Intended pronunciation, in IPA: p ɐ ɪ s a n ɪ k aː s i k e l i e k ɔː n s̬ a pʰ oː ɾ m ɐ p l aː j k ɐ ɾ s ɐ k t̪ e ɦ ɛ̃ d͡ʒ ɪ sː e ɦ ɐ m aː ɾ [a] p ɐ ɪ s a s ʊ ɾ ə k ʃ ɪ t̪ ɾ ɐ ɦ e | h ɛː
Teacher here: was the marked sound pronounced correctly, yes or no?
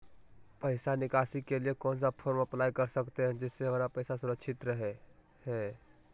yes